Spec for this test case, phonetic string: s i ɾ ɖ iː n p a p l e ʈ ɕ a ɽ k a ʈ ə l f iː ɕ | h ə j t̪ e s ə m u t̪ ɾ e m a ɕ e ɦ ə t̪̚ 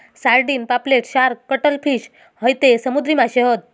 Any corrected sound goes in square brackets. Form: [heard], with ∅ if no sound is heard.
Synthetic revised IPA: s [a] ɾ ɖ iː n p a p l e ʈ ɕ a [ɾ] k [ə] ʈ ə l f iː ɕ | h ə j t̪ e s ə m u [d̪] ɾ [i] m a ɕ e ɦ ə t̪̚